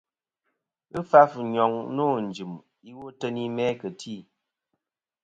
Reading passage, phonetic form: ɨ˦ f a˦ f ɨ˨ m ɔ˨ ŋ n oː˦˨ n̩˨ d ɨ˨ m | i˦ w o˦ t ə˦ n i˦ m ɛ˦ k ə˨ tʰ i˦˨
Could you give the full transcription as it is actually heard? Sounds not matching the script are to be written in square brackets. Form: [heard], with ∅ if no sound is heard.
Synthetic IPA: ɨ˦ f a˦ f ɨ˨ [ɲ] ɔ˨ ŋ n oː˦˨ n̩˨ [d͡ʒ] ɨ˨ m | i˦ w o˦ t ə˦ n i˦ m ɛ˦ k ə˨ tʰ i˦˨